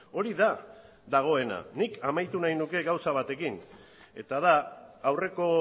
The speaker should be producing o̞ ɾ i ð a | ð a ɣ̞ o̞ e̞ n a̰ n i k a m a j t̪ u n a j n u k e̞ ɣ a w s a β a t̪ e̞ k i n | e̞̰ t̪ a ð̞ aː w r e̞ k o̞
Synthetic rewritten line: o̞ ɾ i ð a | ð a ɣ̞ o̞ e̞ n a̰ n i k a m a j t̪ u n a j n u k e̞ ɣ a w s a β a t̪ e̞ k i n | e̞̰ t̪ a ð̞ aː w r e̞ k o̞